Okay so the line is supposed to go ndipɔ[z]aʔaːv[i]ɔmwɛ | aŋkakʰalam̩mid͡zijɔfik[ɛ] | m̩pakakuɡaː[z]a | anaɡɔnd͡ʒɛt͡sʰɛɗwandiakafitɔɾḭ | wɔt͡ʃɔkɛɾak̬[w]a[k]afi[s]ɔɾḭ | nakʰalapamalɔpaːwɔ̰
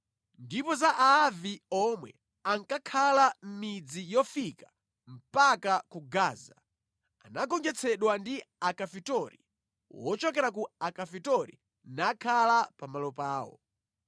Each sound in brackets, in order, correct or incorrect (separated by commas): correct, correct, incorrect, correct, incorrect, correct, incorrect